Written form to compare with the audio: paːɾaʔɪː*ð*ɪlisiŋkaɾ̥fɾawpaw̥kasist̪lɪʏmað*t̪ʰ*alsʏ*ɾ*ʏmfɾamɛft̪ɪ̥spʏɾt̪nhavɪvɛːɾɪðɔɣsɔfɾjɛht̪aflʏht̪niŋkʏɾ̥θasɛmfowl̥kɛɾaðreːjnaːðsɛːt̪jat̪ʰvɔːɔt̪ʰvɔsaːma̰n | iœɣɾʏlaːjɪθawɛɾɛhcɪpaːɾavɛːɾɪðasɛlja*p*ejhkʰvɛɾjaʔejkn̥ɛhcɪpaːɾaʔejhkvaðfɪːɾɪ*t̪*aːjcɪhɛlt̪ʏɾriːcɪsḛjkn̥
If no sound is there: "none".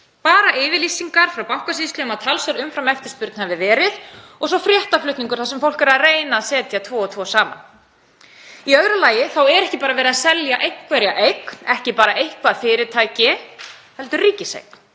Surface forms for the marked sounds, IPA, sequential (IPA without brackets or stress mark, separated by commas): v, t̪ʰ, ɾ, ʔ, t̪ʰ